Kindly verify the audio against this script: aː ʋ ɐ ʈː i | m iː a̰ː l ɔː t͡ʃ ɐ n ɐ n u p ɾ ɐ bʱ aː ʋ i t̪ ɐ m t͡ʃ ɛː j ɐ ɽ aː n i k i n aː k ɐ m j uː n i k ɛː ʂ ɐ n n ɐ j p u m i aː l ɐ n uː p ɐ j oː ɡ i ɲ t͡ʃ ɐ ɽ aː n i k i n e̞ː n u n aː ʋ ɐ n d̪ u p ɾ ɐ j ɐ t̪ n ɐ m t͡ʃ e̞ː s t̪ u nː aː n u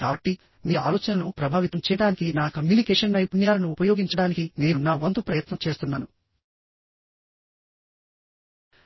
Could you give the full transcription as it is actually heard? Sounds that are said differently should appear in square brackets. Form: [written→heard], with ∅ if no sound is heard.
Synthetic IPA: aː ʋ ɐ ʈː i | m iː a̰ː l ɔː t͡ʃ ɐ n ɐ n u p ɾ ɐ bʱ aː ʋ i t̪ ɐ m t͡ʃ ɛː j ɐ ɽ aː n i k i n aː k ɐ m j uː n i k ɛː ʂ ɐ n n ɐ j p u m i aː l ɐ n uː p ɐ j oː ɡ i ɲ t͡ʃ ɐ ɽ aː n i k i n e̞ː n u n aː ʋ ɐ n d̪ u p ɾ ɐ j ɐ t̪ n ɐ m t͡ʃ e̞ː s t̪ u nː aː n u

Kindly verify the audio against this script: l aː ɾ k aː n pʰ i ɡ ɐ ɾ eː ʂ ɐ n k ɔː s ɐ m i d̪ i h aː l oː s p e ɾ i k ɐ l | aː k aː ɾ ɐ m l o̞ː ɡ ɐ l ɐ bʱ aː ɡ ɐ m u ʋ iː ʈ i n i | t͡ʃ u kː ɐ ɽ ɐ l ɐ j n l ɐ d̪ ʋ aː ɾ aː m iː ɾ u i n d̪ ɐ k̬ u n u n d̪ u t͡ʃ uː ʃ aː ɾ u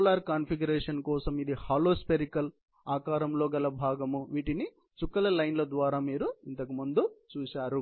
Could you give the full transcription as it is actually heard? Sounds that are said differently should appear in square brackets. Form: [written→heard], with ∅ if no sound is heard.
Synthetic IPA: l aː ɾ k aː n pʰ i ɡ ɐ ɾ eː ʂ ɐ n k ɔː s ɐ m i d̪ i h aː l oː s p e ɾ i k ɐ l | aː k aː ɾ ɐ m l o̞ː ɡ ɐ l ɐ bʱ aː ɡ ɐ m u ʋ iː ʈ i n i | t͡ʃ u kː ɐ [ɽ→l] ɐ l ɐ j n l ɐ d̪ ʋ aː ɾ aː m iː ɾ u i n [d̪→t̪] ɐ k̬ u [n→m] u n d̪ u t͡ʃ uː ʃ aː ɾ u

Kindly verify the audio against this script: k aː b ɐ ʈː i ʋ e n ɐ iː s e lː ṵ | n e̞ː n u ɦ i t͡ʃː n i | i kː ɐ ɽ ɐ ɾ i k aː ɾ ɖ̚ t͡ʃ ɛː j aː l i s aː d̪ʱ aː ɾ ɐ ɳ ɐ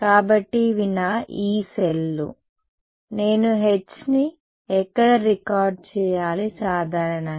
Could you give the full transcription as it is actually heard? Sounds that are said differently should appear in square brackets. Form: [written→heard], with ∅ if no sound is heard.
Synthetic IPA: k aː b ɐ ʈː i ʋ [e→i] n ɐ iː s e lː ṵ | n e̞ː n u ɦ [i→e] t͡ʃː n i | [i→ɛ] kː ɐ ɽ ɐ ɾ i k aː ɾ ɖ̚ t͡ʃ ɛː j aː l i s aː d̪ʱ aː ɾ ɐ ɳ ɐ

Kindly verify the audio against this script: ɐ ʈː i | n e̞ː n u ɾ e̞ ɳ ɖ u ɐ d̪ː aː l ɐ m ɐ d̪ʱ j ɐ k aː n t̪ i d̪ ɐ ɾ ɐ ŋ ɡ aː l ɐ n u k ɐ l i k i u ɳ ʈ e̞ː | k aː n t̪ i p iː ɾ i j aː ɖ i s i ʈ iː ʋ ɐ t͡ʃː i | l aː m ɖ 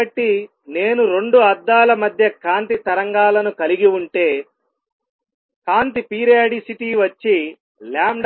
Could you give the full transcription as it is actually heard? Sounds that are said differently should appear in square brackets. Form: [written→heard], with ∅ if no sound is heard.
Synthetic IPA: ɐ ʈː i | n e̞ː n u ɾ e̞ ɳ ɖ u ɐ d̪ː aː l ɐ m ɐ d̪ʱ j ɐ k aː n t̪ i [d̪→t̪] ɐ ɾ ɐ ŋ ɡ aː l ɐ n u k ɐ l i [k→ɡ] i u ɳ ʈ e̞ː | k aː n t̪ i p iː ɾ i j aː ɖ i s i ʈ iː ʋ ɐ t͡ʃː i | l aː m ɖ

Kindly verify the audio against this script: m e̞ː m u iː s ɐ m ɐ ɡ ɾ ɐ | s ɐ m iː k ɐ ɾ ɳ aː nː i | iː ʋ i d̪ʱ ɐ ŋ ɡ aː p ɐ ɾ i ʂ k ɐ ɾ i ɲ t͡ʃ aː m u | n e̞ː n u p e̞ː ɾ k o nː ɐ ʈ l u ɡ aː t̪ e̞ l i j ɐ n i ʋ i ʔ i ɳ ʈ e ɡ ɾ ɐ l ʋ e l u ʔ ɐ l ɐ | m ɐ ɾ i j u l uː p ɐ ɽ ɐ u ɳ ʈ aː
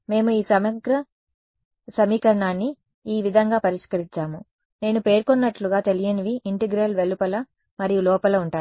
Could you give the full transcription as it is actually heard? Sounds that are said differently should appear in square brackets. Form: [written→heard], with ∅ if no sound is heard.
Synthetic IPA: m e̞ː m u iː s ɐ m ɐ ɡ ɾ ɐ | s ɐ m iː k ɐ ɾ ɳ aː nː i | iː ʋ i d̪ʱ ɐ ŋ ɡ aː p ɐ ɾ i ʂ k ɐ ɾ i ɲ t͡ʃ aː m u | n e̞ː n u p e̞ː ɾ k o nː ɐ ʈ l u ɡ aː t̪ e̞ l i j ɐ n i ʋ i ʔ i ɳ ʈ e ɡ ɾ ɐ l ʋ e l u [ʔ→p] ɐ l ɐ | m ɐ ɾ i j u l [uː→ɔː] p ɐ [ɽ→l] ɐ u ɳ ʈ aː

